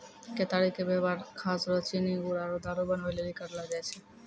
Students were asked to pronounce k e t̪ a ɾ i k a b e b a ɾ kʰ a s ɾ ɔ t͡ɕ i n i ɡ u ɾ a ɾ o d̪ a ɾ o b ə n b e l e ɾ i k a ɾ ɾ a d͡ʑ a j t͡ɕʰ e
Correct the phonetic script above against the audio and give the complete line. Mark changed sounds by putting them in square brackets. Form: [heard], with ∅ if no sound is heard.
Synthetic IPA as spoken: k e t̪ a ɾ i k [e] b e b a ɾ kʰ a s ɾ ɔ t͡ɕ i n i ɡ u ɾ a ɾ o d̪ a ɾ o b [a] n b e l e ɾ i k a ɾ [l] a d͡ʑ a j t͡ɕʰ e